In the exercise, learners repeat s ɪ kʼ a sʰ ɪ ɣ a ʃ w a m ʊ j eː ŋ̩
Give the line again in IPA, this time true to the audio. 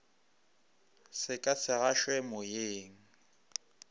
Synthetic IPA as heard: s ɪ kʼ a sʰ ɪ ɣ a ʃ w ɛ m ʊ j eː ŋ̩

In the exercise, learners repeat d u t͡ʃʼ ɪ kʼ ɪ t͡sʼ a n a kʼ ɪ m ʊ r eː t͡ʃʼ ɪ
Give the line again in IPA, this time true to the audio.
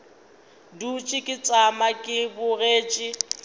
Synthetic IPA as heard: d u t͡ʃʼ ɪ kʼ ɪ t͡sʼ a m a kʼ ɪ b ʊ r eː t͡ʃʼ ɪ

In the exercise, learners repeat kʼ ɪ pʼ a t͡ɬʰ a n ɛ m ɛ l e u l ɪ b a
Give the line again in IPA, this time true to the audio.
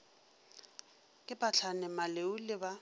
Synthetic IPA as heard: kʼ ɪ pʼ a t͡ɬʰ a n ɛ m a l e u l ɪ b a

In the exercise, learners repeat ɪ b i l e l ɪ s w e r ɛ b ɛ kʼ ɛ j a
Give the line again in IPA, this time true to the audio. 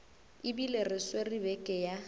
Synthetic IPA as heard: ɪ b i l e r ɪ s w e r i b ɛ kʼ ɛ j a

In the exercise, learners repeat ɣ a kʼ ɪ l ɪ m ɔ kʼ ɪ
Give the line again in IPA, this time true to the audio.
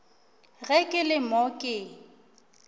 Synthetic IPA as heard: ɣ ɛ kʼ ɪ l ɪ m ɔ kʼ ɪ

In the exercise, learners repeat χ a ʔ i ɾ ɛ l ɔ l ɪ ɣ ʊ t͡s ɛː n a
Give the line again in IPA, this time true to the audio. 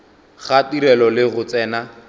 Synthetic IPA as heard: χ a t i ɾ ɛ l ɔ l ɪ ɣ ʊ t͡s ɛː n a

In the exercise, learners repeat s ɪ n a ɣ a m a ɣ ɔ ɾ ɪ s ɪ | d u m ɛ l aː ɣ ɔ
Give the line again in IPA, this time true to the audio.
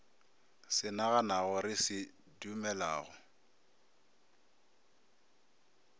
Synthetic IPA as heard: s ɪ n a ɣ a n a ɣ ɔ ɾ ɪ s ɪ | d u m ɛ l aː ɣ ɔ

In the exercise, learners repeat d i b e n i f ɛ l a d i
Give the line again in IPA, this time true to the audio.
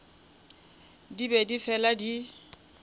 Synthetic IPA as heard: d i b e d i f ɛ l a d i

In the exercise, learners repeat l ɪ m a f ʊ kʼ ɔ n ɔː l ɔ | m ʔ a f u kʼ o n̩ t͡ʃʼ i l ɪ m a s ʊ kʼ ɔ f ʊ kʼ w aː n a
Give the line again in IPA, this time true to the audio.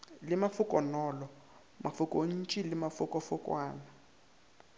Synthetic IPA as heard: l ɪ m a f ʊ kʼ ɔ n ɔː l ɔ | m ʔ a f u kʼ o n̩ t͡ʃʼ i l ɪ m a f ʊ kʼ ɔ f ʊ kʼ w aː n a

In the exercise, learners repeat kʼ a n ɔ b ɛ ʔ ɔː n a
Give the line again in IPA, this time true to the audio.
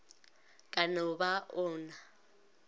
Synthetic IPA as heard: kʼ a n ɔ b a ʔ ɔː n a

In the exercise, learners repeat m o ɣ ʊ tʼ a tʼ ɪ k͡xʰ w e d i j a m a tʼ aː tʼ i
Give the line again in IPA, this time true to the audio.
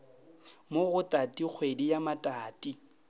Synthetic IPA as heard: m o ɣ ʊ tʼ a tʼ i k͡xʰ w e d i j a m a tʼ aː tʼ i

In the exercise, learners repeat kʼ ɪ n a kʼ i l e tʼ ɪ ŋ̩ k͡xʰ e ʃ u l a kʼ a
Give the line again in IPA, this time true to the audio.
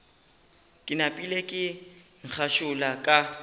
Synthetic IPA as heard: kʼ ɪ n a pʼ i l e kʼ ɪ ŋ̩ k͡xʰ a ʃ ʊ l a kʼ a

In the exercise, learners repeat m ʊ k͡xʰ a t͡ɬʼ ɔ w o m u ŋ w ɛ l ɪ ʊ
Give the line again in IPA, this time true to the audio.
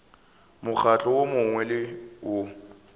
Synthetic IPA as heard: m ʊ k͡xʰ a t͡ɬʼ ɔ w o m ʊ ŋ w ɛ l ɪ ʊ

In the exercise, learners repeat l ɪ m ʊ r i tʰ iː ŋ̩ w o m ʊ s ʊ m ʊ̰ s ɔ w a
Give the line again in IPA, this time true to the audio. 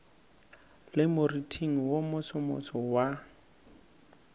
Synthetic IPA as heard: l ɪ m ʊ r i tʰ i ŋ̩ w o m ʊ s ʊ m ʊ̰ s ɔ w a

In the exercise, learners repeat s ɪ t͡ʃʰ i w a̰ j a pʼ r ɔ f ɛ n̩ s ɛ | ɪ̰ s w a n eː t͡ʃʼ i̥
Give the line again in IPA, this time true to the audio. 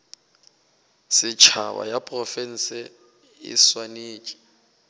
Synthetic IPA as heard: s ɪ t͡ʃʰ a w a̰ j a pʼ r ɔ f ɛ n̩ s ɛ | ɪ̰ s w a n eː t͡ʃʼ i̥

